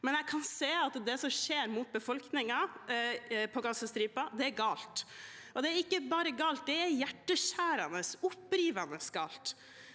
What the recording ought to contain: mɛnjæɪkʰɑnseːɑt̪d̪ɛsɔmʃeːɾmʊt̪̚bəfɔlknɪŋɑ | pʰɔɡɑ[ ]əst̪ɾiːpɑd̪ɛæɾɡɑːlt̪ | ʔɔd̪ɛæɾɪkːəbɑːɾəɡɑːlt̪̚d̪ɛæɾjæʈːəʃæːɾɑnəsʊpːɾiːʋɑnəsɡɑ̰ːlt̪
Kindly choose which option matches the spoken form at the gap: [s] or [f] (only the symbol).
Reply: s